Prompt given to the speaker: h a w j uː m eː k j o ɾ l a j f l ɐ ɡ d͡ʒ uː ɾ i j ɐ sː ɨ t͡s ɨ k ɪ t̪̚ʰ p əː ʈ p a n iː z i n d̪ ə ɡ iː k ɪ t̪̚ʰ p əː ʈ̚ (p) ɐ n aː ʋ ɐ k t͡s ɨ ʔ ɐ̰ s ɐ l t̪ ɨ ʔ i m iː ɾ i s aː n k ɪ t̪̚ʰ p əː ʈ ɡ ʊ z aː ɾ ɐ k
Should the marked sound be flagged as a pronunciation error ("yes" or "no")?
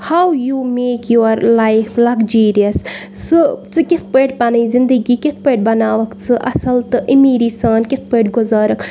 yes